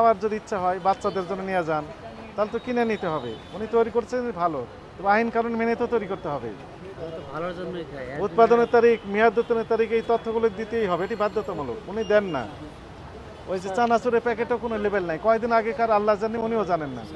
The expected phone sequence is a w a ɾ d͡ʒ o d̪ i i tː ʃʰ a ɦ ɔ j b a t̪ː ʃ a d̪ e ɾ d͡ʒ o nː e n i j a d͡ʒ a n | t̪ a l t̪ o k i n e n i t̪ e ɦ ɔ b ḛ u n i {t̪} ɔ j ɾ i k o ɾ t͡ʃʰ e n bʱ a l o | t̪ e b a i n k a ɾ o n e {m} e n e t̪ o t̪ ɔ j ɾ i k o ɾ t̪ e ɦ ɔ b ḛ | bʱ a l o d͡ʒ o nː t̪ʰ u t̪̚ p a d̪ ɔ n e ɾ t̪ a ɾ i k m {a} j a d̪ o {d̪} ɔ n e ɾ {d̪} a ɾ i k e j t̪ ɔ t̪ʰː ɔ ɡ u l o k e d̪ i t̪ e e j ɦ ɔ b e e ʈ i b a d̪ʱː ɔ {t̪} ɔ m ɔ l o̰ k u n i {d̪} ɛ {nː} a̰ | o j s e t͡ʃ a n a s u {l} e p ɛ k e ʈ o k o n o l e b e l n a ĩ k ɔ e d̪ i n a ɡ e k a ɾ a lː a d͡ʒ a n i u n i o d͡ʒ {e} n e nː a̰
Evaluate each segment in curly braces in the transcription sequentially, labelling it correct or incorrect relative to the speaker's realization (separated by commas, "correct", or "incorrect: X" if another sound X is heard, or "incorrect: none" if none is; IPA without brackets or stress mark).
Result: correct, correct, incorrect: i, incorrect: t̪, incorrect: t̪, correct, correct, correct, incorrect: ɾ, incorrect: a